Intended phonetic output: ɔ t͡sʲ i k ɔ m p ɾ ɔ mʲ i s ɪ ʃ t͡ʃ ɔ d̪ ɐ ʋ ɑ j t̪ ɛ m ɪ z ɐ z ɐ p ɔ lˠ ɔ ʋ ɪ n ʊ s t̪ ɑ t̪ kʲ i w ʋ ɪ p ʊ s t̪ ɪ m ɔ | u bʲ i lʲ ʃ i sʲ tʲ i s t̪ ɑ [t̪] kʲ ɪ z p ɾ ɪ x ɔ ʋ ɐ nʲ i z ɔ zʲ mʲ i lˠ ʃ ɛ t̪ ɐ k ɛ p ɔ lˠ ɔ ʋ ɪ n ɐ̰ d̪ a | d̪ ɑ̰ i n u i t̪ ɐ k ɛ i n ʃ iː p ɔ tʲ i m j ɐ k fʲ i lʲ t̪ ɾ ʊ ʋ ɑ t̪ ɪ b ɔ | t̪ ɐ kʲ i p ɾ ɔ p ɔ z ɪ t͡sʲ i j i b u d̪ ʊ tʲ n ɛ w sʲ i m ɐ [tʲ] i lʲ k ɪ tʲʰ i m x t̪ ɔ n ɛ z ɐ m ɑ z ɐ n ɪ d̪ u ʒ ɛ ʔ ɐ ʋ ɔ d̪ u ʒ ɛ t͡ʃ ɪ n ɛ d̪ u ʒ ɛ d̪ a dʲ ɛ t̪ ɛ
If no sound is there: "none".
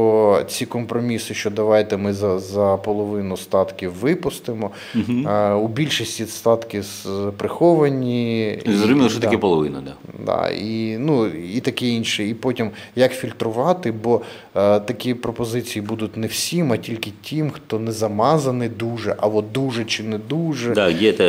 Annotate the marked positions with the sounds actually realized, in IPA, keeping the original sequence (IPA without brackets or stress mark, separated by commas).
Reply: t̪, tʲ